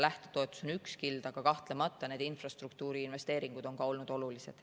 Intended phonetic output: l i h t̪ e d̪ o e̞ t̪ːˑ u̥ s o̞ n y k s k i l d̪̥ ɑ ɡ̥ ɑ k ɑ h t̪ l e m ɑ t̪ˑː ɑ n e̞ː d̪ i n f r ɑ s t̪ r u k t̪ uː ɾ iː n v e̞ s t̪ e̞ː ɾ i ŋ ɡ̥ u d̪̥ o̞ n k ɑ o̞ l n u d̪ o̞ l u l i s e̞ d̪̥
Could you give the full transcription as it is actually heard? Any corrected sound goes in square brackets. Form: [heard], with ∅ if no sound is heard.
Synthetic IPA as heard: l [æ] h t̪ e [t̪] o e̞ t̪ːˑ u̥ s o̞ n y k s k i l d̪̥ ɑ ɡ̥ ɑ k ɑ h t̪ l e m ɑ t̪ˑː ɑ n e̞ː d̪ i n f r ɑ s t̪ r u k t̪ uː ɾ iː n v e̞ s t̪ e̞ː ɾ i ŋ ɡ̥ u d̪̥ o̞ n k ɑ o̞ l n u d̪ o̞ l u l i s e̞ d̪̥